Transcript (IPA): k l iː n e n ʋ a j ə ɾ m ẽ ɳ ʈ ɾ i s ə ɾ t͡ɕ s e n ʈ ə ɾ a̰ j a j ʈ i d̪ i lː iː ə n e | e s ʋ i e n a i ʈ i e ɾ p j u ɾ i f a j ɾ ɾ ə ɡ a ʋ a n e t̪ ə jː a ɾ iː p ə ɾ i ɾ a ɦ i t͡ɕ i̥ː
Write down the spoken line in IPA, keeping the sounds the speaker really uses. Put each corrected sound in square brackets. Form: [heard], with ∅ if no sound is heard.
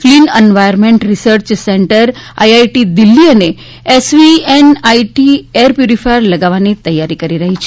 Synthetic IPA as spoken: k l iː n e n ʋ a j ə ɾ m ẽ ɳ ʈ ɾ i s ə ɾ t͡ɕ s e [ɳ] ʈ ə ɾ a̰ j a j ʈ i d̪ i lː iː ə n e | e s ʋ i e n a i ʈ i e ɾ p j u ɾ i f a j ɾ [l] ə ɡ a ʋ a n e t̪ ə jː a ɾ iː [k] ə ɾ i ɾ a ɦ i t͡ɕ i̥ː